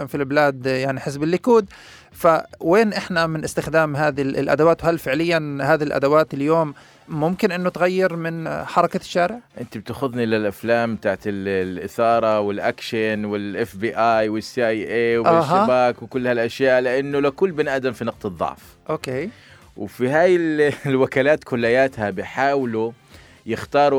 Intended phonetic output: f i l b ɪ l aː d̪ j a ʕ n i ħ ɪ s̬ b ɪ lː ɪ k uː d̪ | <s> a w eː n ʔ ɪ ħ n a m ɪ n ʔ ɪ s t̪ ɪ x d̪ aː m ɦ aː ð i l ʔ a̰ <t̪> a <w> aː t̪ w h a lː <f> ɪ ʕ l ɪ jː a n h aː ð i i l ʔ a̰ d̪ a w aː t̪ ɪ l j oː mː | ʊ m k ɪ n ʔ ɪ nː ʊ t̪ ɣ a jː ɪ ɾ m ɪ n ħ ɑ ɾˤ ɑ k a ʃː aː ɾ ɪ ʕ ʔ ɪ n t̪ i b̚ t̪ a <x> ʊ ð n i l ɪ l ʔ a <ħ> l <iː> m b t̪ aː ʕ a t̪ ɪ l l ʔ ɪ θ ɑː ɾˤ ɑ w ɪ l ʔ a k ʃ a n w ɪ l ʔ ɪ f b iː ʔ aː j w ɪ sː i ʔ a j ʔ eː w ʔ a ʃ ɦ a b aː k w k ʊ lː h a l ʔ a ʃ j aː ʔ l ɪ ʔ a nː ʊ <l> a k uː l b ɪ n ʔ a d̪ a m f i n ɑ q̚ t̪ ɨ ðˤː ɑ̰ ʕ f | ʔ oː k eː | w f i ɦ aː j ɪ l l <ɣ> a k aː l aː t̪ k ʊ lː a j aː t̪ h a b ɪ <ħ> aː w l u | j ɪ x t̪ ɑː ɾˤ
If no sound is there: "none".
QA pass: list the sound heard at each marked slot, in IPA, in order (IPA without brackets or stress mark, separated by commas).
f, d̪, w, f, x, f, aː, l, w, ħ